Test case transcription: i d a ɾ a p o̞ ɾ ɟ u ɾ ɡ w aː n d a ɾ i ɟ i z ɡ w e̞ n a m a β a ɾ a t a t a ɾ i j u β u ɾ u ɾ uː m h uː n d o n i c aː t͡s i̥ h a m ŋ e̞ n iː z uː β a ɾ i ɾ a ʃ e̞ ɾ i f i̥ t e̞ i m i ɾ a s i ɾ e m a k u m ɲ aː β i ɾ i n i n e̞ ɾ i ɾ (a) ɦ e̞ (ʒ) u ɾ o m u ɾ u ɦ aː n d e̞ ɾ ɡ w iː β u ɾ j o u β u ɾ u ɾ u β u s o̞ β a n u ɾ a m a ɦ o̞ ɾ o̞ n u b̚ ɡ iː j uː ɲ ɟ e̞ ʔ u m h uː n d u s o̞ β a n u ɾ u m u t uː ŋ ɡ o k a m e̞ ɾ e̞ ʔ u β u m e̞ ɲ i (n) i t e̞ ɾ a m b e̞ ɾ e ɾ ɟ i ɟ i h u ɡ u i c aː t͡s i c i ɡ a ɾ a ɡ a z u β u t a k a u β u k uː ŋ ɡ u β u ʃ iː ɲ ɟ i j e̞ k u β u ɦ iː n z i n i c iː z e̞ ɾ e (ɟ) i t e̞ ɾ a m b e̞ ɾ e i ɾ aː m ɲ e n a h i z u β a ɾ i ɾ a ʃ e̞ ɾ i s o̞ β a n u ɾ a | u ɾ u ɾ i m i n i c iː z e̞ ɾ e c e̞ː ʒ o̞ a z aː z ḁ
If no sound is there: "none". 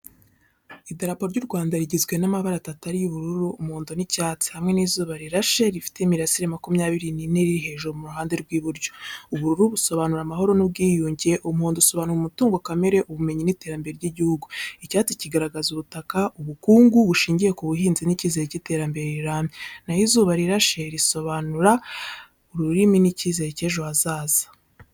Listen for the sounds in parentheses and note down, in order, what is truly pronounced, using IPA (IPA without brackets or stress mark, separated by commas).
i, ʒ, n, c